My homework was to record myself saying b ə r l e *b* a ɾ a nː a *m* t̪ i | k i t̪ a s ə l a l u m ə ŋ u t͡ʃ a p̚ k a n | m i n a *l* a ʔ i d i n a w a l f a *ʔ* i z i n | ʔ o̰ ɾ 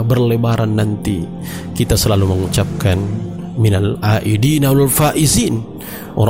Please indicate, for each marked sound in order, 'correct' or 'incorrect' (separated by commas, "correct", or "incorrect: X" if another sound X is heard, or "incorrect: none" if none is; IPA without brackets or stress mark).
correct, incorrect: n, correct, correct